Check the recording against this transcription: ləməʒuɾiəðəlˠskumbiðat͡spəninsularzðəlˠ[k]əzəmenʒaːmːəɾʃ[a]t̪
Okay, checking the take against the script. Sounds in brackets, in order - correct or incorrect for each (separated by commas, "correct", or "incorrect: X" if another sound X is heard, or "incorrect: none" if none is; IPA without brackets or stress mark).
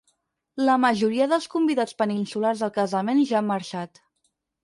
correct, correct